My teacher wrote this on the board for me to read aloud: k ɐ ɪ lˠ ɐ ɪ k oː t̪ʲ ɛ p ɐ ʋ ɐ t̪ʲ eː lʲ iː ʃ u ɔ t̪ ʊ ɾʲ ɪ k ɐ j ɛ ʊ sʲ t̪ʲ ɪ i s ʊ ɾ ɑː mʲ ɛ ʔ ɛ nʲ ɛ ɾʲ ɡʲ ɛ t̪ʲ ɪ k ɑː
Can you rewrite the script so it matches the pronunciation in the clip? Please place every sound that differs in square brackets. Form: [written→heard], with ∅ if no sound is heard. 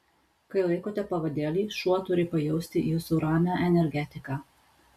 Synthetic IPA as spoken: k ɐ ɪ lˠ ɐ ɪ k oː t̪ʲ ɛ p ɐ ʋ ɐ [t̪ʲ→d̪ʲ] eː lʲ iː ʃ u ɔ t̪ ʊ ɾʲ ɪ [k→p] ɐ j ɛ ʊ sʲ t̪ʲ ɪ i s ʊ ɾ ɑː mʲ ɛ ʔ ɛ nʲ ɛ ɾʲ ɡʲ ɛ t̪ʲ ɪ k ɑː